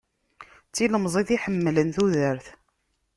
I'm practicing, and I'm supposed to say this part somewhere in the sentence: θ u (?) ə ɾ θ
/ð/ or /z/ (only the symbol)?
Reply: ð